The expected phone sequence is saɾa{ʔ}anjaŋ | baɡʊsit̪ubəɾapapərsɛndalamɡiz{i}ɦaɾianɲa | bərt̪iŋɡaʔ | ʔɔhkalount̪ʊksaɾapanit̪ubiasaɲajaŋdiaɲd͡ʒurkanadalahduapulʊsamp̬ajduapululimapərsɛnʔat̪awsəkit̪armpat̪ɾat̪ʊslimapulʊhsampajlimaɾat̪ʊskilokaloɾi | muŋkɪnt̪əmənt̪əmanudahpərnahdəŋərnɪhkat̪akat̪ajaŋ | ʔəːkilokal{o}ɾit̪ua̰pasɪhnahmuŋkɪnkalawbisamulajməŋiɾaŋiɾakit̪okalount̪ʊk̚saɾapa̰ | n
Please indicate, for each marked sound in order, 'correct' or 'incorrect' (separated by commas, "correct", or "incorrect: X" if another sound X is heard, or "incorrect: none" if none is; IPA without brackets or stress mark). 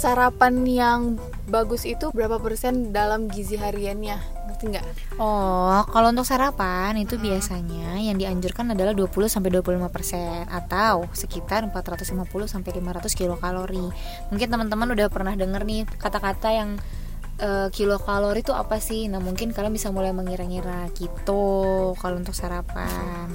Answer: incorrect: p, correct, correct